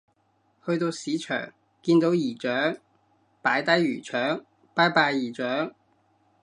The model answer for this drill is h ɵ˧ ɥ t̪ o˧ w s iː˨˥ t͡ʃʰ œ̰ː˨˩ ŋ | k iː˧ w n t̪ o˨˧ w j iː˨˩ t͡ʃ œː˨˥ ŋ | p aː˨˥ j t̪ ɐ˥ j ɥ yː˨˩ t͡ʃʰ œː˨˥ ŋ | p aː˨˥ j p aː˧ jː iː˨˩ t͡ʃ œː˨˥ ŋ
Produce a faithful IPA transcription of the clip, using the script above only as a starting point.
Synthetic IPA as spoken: h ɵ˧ ɥ t̪ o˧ w s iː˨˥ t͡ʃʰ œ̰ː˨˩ ŋ | k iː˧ n t̪ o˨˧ w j iː˨˩ t͡ʃ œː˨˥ ŋ | p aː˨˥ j t̪ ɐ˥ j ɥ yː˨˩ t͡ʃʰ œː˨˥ ŋ | p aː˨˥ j p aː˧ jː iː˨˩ t͡ʃ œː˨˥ ŋ

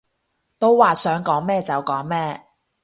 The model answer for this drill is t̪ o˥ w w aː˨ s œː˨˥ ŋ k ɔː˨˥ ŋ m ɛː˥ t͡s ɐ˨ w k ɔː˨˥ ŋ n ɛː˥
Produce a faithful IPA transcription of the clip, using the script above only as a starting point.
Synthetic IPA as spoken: t̪ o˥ w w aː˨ s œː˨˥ ŋ k ɔː˨˥ ŋ m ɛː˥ t͡s ɐ˨ w k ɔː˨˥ ŋ m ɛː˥

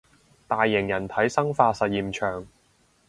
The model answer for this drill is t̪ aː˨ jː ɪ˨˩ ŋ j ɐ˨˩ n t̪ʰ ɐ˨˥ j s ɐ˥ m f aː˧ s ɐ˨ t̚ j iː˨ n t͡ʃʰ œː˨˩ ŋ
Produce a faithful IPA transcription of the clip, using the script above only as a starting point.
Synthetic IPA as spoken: t̪ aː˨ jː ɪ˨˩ ŋ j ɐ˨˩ n t̪ʰ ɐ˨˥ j s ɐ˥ ŋ f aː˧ s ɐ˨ t̚ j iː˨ m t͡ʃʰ œː˨˩ ŋ

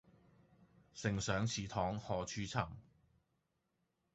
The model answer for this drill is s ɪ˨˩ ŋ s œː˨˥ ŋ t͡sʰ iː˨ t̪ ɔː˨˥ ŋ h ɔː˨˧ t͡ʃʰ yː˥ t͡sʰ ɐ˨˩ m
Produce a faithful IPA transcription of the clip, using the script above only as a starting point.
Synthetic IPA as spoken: s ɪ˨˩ ŋ s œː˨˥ ŋ t͡sʰ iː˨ t̪ʰ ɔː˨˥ ŋ h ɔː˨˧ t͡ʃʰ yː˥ t͡sʰ ɐ˨˩ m

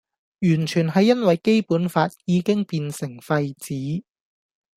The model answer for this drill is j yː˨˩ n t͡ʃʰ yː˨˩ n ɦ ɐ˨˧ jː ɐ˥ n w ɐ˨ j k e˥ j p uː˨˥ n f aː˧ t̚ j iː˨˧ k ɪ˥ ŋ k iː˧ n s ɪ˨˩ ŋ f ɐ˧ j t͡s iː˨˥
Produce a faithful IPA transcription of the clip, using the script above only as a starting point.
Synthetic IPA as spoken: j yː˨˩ n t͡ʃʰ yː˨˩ n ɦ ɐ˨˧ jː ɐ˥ n w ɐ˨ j k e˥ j p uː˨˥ n f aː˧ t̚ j iː˨˧ k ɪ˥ ŋ p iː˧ n s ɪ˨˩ ŋ f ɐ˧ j t͡s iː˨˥

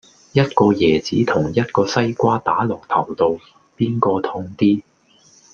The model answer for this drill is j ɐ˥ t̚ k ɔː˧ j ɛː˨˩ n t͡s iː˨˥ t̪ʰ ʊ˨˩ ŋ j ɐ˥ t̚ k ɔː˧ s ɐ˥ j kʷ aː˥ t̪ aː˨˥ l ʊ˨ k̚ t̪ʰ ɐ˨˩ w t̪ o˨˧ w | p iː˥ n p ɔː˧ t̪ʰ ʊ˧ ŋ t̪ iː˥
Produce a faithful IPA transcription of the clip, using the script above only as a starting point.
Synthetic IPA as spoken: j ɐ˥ t̚ k ɔː˧ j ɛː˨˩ t͡s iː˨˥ t̪ʰ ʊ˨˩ ŋ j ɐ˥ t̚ k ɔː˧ s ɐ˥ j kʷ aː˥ t̪ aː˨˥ l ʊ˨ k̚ t̪ʰ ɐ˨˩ w t̪ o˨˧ w | p iː˥ n k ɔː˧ t̪ʰ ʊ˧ ŋ t̪ iː˥

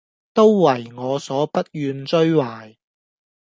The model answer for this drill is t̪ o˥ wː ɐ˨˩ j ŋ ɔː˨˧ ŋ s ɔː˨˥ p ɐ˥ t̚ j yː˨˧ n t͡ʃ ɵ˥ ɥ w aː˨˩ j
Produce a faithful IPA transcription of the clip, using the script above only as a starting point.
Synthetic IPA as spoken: t̪ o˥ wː ɐ˨˩ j ŋ ɔː˨˧ s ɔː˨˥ p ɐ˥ t̚ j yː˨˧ n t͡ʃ ɵ˥ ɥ w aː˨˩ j

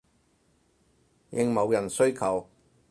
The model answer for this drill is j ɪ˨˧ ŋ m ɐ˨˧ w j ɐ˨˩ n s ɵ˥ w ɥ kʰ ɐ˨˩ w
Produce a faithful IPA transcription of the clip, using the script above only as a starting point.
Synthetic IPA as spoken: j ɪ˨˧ ŋ m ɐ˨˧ w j ɐ˨˩ n s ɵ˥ ɥ kʰ ɐ˨˩ w

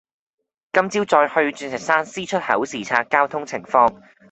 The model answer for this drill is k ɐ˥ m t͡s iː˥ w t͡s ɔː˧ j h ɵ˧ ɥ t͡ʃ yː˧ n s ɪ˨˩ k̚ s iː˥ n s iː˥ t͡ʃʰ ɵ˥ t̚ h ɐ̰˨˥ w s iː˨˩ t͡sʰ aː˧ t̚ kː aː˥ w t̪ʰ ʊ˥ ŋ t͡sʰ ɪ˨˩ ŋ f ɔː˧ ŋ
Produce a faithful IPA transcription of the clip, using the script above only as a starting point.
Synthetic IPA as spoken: k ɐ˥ m t͡s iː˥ w t͡s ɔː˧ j h ɵ˧ ɥ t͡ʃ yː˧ n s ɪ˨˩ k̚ s aː˥ n s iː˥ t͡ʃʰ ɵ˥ t̚ h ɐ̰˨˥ w s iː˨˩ t͡sʰ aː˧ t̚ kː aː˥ w t̪ʰ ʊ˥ ŋ t͡sʰ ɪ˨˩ ŋ f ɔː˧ ŋ

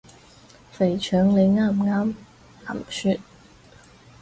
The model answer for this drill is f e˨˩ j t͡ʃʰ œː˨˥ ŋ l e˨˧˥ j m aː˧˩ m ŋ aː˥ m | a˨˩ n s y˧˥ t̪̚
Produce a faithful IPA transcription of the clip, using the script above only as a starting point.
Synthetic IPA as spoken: f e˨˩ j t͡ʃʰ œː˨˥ ŋ l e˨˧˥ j ŋ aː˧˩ m ŋ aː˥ m | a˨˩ m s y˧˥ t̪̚

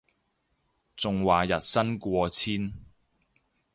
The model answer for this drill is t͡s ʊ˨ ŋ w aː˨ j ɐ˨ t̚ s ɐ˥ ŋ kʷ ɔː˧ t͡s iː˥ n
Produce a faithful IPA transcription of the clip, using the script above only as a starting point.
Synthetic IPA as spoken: t͡s ʊ˨ ŋ w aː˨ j ɐ˨ t̚ s ɐ˥ n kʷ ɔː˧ t͡sʰ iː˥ n

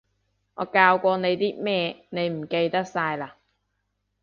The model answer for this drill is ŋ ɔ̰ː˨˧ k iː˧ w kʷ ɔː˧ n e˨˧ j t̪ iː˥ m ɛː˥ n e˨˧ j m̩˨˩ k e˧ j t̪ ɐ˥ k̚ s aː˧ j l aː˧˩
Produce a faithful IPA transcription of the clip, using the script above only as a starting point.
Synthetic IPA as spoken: ŋ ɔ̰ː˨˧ k aː˧ w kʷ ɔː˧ n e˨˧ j t̪ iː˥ m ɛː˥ n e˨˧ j m̩˨˩ k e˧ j t̪ ɐ˥ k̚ s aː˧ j l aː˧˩

